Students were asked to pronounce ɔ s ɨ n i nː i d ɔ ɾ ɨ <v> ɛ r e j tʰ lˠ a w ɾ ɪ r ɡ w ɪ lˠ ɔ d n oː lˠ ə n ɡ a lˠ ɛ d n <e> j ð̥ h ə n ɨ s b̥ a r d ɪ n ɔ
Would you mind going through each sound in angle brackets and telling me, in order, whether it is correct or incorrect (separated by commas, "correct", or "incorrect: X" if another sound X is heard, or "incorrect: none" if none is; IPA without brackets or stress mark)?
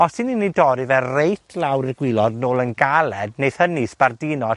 correct, correct